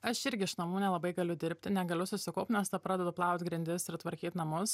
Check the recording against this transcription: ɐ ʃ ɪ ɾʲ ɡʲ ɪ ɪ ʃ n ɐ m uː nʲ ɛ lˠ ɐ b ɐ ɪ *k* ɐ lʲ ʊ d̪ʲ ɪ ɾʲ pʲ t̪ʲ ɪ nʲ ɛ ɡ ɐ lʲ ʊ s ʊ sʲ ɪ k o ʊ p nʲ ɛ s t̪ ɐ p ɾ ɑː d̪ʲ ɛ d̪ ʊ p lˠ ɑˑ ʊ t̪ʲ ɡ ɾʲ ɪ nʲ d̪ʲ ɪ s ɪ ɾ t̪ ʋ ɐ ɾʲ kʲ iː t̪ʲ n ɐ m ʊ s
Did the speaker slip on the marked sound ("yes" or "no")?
yes